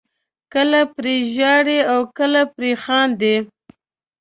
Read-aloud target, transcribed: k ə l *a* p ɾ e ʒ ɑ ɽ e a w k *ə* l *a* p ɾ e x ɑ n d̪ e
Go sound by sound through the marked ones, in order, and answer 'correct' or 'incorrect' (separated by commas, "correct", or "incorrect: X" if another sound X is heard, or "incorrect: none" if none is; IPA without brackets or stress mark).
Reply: correct, correct, correct